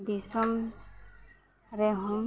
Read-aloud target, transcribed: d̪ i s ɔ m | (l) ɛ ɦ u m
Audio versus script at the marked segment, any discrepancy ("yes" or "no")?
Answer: yes